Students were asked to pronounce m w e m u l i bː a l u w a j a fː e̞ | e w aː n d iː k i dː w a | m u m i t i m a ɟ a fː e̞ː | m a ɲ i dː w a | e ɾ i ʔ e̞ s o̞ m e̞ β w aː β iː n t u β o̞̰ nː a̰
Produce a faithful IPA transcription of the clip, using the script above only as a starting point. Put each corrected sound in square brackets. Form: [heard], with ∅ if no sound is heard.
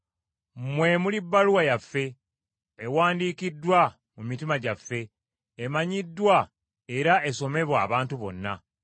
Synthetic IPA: m w e m u l i bː a l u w a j a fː e̞ | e w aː n d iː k i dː w a | m u m i t i m a ɟ a fː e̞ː | m a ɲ i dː w a | e ɾ [a] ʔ e̞ s o̞ m e̞ β w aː β [aː] n t u β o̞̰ nː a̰

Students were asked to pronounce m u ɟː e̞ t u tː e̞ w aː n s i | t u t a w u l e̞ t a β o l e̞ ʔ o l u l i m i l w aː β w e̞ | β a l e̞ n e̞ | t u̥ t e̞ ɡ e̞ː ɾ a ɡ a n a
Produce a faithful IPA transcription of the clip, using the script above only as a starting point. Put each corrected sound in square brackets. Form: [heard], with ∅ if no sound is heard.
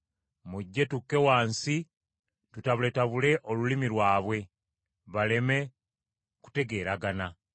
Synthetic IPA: m u ɟː e̞ t u [kː] e̞ w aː n s i | t u t a [β] u l e̞ t a β [u] l e̞ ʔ o l u l i m i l w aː β w e̞ | β a l e̞ [m] e̞ | [k] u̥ t e̞ ɡ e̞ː ɾ a ɡ a n a

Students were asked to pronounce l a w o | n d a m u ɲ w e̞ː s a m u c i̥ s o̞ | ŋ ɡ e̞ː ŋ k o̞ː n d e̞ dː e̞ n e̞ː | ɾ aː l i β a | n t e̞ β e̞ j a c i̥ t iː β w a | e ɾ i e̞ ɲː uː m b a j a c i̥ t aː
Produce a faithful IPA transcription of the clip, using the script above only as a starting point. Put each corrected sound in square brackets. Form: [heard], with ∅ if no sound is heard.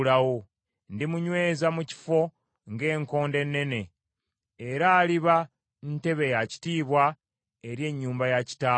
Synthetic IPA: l a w o | n d [i] m u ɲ w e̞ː [z] a m u c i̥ [f] o̞ | ŋ ɡ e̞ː ŋ k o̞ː n d e̞ [nː] e̞ n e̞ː | ɾ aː l i β a | n t e̞ β e̞ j a c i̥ t iː β w a | e ɾ [j] e̞ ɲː uː m b a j a c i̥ t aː

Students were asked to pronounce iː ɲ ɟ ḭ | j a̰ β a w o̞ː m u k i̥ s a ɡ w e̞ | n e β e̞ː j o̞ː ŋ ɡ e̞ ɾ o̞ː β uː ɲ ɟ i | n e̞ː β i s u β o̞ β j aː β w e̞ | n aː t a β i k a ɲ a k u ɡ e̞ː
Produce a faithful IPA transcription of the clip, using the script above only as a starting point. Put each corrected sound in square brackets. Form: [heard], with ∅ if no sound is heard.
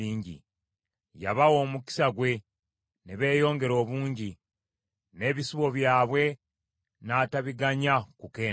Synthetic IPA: iː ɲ ɟ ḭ | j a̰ β a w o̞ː m u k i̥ s a ɡ w e̞ | n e β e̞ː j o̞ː ŋ ɡ e̞ ɾ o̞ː β uː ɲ ɟ i | n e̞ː β i s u β o̞ β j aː β w e̞ | n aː t a β i [ɡ] a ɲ a k u [k] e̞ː

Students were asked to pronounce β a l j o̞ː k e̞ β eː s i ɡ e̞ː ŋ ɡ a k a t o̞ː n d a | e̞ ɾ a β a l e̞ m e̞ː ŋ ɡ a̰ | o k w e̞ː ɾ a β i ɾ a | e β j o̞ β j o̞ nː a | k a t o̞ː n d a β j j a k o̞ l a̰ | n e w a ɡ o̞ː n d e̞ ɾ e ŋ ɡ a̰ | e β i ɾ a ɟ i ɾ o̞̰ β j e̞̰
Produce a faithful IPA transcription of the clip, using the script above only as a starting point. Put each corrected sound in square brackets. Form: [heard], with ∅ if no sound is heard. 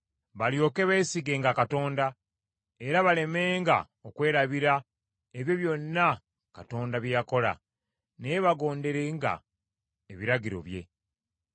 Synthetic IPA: β a l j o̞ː k e̞ β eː s i ɡ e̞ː ŋ ɡ a k a t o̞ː n d a | e̞ ɾ a β a l e̞ m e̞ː ŋ ɡ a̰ | o k w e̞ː ɾ a β i ɾ a | e β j o̞ β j o̞ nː a | k a t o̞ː n d a β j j a k o̞ l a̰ | n e [β] a ɡ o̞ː n d e̞ ɾ e ŋ ɡ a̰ | e β i ɾ a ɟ i ɾ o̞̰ β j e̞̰

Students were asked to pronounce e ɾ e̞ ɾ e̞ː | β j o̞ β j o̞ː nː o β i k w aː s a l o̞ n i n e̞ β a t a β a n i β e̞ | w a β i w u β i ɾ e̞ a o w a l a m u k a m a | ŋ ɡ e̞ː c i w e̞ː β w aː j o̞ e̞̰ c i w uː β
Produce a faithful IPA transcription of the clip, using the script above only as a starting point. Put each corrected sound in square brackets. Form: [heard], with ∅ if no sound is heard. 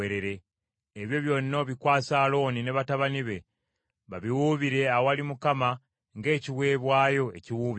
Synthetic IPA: e ɾ e̞ ɾ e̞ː | β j o̞ β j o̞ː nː o β i k w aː s a l o̞ n i n e̞ β a t a β a n i β e̞ | [β] a β i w u β i ɾ e̞ a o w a l [i] m u k a m a | ŋ ɡ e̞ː c i w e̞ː β w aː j o̞ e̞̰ c i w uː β

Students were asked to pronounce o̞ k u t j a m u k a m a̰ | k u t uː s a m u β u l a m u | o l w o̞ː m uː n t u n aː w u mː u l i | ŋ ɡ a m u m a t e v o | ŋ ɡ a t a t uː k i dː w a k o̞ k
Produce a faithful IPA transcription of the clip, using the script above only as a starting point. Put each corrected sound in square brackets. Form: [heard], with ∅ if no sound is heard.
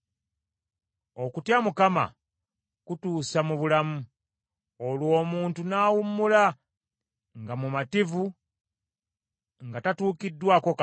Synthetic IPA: o̞ k u t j a m u k a m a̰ | k u t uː s a m u β u l a m u | o l w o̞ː m uː n t u n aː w u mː u l [a] | ŋ ɡ a m u m a t [i] v [u] | ŋ ɡ a t a t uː k i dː w a k o̞ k

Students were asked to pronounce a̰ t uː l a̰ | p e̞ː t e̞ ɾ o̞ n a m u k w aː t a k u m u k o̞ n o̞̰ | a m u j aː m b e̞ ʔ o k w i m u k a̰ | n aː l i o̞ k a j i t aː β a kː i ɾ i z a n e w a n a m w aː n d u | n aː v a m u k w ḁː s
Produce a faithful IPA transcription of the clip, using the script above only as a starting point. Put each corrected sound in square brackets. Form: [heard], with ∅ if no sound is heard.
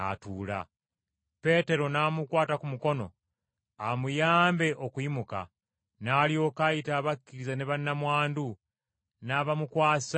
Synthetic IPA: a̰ t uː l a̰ | p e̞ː t e̞ ɾ o̞ n a m u k w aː t a k u m u k o̞ n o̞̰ | a m u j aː m b e̞ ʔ o k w i m u k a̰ | n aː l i o̞ k a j i t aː β a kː i ɾ i z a n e [β] a n a m w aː n d u | n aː [β] a m u k w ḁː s

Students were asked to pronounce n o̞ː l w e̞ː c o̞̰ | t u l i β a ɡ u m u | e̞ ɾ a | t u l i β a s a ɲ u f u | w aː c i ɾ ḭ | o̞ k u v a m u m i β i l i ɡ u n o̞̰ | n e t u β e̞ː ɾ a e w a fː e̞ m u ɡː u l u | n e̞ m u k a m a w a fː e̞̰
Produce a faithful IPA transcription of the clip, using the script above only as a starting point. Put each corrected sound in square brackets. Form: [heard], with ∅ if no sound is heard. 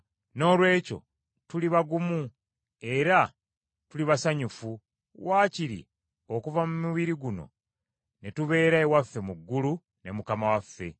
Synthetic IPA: n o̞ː l w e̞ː c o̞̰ | t u l i β a ɡ u m u | e̞ ɾ a | t u l i β a s a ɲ u f u | w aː c i ɾ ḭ | o̞ k u v a m u m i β i [ɾ] i ɡ u n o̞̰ | n e t u β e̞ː ɾ a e w a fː e̞ m u ɡː u l u | n e̞ m u k a m a w a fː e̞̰

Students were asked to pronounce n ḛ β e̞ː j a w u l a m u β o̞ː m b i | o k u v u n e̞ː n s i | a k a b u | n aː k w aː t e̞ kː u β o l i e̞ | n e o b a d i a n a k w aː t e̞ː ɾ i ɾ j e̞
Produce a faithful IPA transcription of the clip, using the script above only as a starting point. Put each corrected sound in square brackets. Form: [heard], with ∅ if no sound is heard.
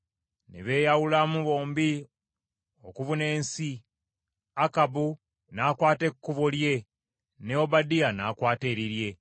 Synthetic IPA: n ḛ β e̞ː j a w u l a m u β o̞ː m b i | o k u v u n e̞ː n s i | a k a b u | n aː k w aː t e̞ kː u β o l [j] e̞ | n e o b a d i a n a k w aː t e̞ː ɾ i ɾ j e̞

